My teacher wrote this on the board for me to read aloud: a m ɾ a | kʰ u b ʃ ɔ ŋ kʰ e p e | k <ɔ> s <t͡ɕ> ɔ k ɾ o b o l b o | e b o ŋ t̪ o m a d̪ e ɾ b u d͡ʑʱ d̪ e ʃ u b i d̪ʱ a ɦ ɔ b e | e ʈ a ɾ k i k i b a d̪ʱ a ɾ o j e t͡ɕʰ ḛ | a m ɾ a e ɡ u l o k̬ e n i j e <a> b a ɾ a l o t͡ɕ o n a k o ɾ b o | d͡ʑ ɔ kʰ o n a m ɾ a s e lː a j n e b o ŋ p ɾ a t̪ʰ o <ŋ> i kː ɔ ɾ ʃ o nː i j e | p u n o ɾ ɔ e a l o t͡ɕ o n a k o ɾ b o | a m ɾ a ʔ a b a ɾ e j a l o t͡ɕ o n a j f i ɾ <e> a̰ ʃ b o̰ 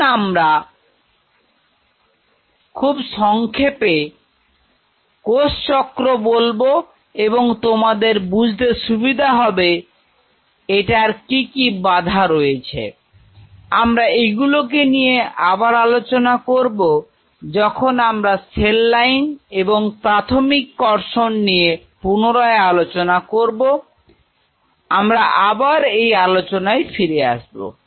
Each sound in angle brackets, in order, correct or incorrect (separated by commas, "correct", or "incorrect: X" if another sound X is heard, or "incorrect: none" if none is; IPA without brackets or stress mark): incorrect: o, correct, correct, incorrect: m, correct